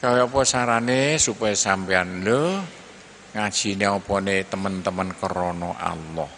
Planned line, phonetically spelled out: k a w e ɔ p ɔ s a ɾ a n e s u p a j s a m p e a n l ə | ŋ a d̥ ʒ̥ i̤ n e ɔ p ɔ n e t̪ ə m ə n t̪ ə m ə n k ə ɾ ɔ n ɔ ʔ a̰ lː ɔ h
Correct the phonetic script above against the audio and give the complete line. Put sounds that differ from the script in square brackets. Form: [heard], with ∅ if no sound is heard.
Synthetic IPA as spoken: k a w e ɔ p ɔ s a ɾ a n e s u p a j s a m p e a n l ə | ŋ a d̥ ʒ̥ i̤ n e ɔ p ɔ n e t̪ ə m ə n t̪ ə m ə n k ə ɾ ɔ n ɔ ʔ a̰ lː ɔ h